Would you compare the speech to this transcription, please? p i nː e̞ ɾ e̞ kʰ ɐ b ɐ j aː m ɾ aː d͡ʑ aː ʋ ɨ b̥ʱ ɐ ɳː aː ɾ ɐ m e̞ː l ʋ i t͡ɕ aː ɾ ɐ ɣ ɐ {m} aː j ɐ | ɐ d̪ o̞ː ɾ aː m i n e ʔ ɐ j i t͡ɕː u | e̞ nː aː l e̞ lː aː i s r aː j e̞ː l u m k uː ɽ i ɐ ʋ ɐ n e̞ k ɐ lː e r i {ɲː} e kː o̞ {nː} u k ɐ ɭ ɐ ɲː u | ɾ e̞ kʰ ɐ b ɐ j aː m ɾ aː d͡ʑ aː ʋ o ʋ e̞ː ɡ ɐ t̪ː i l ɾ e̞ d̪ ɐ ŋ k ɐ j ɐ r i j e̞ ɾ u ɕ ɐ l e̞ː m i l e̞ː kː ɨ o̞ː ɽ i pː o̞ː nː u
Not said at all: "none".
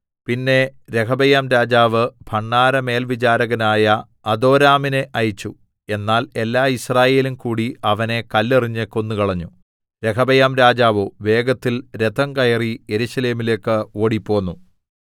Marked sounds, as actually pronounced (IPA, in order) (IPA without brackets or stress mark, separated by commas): n, ɲː, nː